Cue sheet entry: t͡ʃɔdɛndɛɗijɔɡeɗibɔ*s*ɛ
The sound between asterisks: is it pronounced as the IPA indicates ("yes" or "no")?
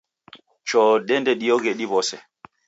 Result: yes